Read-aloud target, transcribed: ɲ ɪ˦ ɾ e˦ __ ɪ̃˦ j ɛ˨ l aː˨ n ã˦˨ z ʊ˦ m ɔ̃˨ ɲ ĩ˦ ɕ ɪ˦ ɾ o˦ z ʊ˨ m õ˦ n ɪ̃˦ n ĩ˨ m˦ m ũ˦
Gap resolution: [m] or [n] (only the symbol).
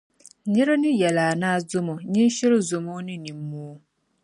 n